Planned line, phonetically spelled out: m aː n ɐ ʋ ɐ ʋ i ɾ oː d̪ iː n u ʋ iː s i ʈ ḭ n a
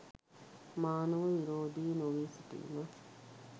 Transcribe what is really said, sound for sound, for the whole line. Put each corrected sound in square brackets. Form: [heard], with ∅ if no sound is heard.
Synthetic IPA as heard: m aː n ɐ ʋ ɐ ʋ i ɾ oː d̪ iː n [o] ʋ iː s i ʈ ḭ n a